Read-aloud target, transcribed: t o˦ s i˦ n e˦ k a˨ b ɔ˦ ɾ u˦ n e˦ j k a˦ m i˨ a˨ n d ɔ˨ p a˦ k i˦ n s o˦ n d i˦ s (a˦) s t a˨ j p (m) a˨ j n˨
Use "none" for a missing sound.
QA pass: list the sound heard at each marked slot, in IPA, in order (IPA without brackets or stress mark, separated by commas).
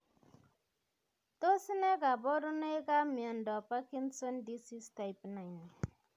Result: i˦, n